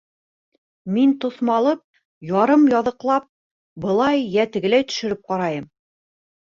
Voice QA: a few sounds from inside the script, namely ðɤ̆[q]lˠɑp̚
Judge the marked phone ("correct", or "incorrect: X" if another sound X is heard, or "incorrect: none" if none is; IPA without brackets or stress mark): correct